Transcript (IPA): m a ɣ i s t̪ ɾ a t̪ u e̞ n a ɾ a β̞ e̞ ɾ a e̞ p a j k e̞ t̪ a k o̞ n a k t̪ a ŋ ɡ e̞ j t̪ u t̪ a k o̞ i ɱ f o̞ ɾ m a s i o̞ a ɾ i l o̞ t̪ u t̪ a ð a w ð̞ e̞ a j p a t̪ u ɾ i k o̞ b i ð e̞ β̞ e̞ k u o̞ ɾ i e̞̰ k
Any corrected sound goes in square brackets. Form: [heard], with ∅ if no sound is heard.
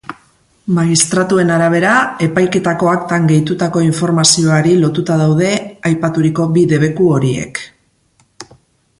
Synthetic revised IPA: m a ɣ i s t̪ ɾ a t̪ u e̞ n a ɾ a β̞ e̞ ɾ a e̞ p a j k e̞ t̪ a k o̞ [∅] a k t̪ a ŋ ɡ e̞ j t̪ u t̪ a k o̞ i ɱ f o̞ ɾ m a s i o̞ a ɾ i l o̞ t̪ u t̪ a ð a w ð̞ e̞ a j p a t̪ u ɾ i k o̞ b i ð e̞ β̞ e̞ k u o̞ ɾ i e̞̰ k